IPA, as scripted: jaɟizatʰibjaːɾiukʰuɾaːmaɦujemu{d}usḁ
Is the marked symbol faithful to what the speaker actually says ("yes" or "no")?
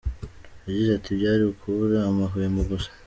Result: no